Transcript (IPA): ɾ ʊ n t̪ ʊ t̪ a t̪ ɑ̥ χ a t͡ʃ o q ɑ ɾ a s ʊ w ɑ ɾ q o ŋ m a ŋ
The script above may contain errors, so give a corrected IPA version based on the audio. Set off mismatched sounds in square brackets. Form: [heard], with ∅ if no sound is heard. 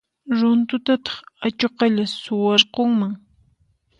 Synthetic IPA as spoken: ɾ ʊ n t̪ ʊ t̪ a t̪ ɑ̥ χ a t͡ʃ o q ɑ [ʎ] a s ʊ w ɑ ɾ q o ŋ m a ŋ